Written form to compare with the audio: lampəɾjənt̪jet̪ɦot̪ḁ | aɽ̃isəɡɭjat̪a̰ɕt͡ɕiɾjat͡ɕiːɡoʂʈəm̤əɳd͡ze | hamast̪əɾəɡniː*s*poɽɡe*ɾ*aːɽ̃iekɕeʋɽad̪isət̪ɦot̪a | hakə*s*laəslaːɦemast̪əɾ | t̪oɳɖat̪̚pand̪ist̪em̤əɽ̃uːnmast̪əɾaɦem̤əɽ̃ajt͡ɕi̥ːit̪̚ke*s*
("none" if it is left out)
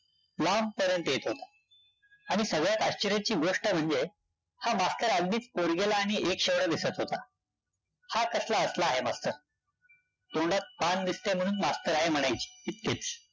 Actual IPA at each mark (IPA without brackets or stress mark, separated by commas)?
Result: t͡s, l, s, t͡s